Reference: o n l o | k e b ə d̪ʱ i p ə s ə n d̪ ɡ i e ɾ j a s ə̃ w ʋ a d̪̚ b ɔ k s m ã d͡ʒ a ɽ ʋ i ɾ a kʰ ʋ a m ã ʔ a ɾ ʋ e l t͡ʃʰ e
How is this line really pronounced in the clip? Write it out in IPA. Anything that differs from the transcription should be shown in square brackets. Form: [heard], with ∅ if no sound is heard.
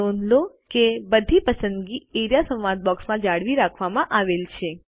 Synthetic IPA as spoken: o n l o | k e b ə d̪ʱ i p ə s ə n d̪ ɡ i e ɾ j a s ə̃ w ʋ a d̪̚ b ɔ k s m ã d͡ʒ a ɽ ʋ i ɾ a kʰ ʋ a m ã ʔ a [∅] ʋ e l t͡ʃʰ e